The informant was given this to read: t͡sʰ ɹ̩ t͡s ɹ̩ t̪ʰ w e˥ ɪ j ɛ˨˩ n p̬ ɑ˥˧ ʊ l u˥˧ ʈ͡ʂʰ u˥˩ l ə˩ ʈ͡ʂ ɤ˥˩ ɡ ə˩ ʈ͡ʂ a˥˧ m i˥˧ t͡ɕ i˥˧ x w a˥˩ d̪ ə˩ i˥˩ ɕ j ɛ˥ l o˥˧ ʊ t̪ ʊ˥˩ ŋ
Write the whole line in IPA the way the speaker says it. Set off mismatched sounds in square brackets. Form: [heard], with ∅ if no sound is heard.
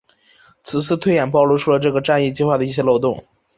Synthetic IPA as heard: t͡sʰ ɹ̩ [t͡sʰ] ɹ̩ t̪ʰ w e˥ ɪ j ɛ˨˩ n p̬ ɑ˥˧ ʊ l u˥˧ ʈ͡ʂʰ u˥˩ l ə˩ ʈ͡ʂ ɤ˥˩ ɡ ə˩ ʈ͡ʂ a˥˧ [n] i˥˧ t͡ɕ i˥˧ x w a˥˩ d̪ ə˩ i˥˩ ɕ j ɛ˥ l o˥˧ ʊ t̪ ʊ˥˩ ŋ